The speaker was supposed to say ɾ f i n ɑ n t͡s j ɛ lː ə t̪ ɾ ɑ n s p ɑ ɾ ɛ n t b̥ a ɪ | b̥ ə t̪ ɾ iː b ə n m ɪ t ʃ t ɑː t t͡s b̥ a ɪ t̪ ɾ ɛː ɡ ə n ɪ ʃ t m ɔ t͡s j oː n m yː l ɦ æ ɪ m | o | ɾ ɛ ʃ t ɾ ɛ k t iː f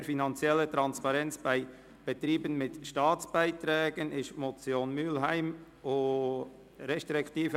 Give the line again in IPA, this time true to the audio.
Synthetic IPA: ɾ f i n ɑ n t͡s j ɛ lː ə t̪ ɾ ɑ n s p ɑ ɾ ɛ n t͡s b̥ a ɪ | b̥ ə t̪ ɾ iː b ə n m ɪ t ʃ t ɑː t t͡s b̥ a ɪ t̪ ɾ ɛː ɡ ə n ɪ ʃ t m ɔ t͡s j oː n m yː l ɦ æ ɪ m | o | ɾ ɛ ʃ t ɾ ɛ k t iː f

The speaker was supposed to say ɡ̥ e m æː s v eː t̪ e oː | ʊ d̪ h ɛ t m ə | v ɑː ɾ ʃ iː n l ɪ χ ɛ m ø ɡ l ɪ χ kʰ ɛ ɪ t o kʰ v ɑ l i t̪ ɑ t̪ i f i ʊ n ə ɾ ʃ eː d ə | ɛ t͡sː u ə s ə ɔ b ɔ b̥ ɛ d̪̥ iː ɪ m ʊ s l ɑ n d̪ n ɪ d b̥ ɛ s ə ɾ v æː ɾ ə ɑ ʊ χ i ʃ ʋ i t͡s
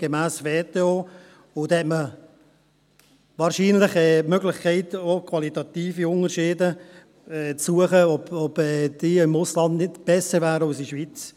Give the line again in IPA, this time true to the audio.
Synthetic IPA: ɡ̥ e m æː s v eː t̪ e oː | ʊ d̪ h ɛ t m ə | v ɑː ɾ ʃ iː n l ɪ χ ɛ m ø ɡ l ɪ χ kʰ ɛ ɪ t o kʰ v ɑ l i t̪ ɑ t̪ iː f i ʊ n ə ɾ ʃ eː d ə | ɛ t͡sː u ə χ ə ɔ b ɔ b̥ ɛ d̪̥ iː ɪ m ʊ s l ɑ n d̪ n ɪ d b̥ ɛ s ə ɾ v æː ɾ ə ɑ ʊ s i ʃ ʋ i t͡s

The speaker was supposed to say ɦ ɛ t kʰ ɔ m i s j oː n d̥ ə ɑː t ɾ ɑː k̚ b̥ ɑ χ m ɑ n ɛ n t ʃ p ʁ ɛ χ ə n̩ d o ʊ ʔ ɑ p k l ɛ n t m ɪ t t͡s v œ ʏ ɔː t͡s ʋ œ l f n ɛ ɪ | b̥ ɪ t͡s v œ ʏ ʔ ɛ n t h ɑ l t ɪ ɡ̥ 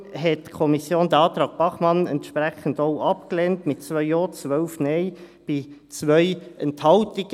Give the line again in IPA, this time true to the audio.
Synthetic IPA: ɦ ɛ t kʰ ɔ m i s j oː n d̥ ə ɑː t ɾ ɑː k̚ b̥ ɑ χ m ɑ n ɛ n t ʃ p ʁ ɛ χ ə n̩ d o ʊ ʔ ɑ p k l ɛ n t m ɪ t t͡s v œ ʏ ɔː t͡s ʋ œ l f n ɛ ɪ | b̥ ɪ t͡s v œ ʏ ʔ ɛ n t h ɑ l t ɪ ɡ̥

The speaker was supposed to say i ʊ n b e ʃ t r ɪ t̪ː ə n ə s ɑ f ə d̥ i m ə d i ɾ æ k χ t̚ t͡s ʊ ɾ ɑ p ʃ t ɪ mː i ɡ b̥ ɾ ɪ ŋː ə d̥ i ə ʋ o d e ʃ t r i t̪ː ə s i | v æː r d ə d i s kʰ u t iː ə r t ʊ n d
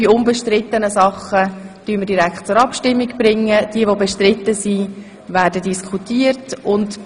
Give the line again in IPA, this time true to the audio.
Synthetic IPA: i ʊ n b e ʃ t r ɪ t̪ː ə n ə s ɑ χ ə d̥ y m ə d i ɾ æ k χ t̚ t͡s ʊ ɾ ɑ p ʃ t ɪ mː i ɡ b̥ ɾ ɪ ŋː ə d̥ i ə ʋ o b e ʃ t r ɪ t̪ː ə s i | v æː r d ə d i s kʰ u t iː ə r t ʊ n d

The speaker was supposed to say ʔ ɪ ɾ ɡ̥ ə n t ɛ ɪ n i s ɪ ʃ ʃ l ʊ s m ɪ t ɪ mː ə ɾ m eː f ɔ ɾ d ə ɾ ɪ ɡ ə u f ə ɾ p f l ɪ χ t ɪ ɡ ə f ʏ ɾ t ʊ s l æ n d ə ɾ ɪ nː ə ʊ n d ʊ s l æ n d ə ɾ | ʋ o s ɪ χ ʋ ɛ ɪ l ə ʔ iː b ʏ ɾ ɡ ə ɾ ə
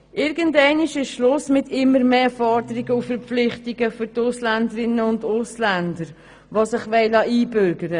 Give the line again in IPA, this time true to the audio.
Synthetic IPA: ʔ ɪ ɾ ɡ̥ ə n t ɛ ɪ n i ʃ ɪ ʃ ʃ l ʊ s m ɪ t ɪ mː ə ɾ m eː f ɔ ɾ d ə ɾ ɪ ɡ ə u f ə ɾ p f l ɪ χ t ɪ ɡ ə f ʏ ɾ t ʊ s l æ n d ə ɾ ɪ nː ə ʊ n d ʊ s l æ n d ə ɾ | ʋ o s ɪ χ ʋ ɛ ɪ l ɑ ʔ iː b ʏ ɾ ɡ ə ɾ ə

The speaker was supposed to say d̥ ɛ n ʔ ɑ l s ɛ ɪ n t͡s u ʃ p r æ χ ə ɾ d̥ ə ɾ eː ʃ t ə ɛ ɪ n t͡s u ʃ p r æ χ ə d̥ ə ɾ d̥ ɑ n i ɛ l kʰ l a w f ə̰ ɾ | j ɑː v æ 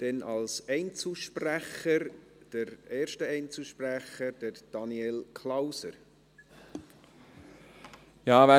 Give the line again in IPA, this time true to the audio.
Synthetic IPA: d̥ ɛ n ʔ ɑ l s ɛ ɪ n t͡s u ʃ p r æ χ ə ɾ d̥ ə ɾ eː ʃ t ə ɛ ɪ n t͡s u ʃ p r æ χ ə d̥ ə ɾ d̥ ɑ n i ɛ l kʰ l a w s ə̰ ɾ | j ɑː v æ

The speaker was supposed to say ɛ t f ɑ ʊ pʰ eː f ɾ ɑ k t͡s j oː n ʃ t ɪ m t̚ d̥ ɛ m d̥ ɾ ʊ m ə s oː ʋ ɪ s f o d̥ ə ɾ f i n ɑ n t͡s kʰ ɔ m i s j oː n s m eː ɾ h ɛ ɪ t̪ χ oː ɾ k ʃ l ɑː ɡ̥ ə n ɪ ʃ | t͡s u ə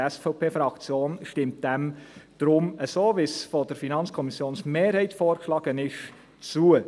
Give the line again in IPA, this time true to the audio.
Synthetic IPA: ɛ s f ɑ ʊ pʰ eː f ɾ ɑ k t͡s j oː n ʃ t ɪ m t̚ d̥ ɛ m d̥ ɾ ʊ m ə s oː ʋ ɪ s f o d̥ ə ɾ f i n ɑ n t͡s kʰ ɔ m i s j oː n s m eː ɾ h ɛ ɪ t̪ f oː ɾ k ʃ l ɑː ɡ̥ ə n ɪ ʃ | t͡s u ə

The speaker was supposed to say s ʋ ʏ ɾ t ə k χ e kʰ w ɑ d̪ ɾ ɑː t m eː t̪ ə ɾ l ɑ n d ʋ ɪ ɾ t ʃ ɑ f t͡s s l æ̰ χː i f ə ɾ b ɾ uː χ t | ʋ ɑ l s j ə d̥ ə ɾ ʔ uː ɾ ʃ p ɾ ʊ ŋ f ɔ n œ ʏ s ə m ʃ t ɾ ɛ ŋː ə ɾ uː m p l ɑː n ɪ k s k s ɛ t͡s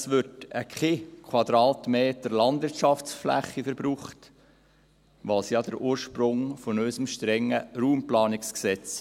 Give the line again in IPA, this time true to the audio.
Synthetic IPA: s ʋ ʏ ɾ t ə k χ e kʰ w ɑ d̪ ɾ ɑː t m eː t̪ ə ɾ l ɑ n d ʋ ɪ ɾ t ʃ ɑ f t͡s f l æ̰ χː i f ə ɾ b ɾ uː χ t | ʋ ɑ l s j ɑ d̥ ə ɾ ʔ uː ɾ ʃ p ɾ ʊ ŋ f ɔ n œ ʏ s ə m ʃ t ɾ ɛ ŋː ə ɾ uː m p l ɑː n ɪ k s k s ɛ t͡s

